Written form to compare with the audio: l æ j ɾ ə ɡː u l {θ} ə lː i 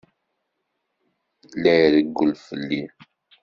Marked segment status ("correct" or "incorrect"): incorrect